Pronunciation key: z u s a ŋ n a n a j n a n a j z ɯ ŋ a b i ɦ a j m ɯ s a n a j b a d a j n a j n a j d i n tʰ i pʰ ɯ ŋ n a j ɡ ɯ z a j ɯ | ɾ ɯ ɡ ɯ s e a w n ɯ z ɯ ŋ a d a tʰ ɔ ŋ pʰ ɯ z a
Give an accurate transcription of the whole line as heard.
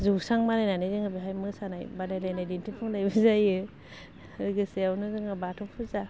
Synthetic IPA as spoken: z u s a ŋ m a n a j n a n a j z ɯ ŋ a b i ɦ a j m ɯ s a n a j b a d a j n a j n a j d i n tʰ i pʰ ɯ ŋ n a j b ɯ z a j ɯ | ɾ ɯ ɡ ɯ s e a w n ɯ z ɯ ŋ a b a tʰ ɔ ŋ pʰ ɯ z a